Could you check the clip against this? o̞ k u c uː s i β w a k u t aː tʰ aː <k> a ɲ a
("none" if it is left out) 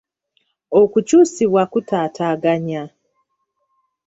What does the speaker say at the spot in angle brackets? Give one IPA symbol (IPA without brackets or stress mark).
ɡ